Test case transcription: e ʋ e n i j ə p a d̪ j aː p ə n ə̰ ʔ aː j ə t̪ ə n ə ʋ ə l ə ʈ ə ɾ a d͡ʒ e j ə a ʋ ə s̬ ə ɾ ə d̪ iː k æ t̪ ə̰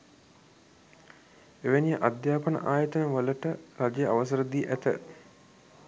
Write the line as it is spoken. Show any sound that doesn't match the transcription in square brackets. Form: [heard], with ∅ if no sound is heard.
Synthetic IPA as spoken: e ʋ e n i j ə [ʔ] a d̪ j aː p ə n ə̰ ʔ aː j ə t̪ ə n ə ʋ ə l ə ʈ ə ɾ a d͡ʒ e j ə a ʋ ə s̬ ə ɾ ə d̪ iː [ʔ] æ t̪ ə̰